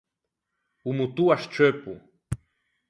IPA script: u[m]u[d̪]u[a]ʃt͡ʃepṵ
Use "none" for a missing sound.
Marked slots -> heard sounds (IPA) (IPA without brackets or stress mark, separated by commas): m, t̪, a